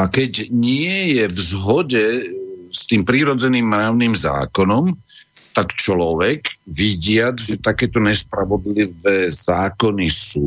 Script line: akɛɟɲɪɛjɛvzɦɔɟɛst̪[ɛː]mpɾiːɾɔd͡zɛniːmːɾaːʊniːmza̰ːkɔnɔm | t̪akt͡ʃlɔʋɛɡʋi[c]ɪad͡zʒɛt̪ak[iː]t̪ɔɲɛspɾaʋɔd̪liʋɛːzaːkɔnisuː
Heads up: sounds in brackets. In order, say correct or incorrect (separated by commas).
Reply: incorrect, incorrect, incorrect